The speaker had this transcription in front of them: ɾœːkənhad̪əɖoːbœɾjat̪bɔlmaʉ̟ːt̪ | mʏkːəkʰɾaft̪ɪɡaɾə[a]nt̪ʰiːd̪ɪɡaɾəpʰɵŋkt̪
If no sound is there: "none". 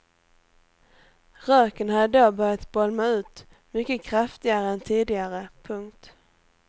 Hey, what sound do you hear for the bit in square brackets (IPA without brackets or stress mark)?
ɛ